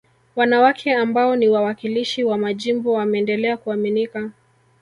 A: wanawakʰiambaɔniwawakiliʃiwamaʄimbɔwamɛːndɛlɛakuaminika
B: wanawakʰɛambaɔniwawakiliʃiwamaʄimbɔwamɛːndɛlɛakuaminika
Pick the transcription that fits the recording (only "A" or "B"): B